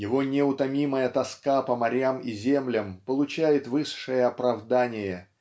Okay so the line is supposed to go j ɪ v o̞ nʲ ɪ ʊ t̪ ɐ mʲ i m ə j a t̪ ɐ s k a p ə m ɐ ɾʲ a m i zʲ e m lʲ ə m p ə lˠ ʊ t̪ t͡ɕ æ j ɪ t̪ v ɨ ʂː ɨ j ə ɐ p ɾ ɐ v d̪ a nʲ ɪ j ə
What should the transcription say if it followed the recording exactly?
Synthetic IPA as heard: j ɪ v o̞ nʲ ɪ ʊ t̪ ɐ mʲ i m ə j ə t̪ ɐ s k a p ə m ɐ ɾʲ a m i zʲ e m lʲ ə m p ə lˠ ʊ t͡ɕ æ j ɪ t̪ v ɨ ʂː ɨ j ə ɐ p ɾ ɐ v d̪ a nʲ ɪ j ə